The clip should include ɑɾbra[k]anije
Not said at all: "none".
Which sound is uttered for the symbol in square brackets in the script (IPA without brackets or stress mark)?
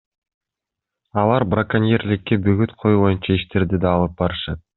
k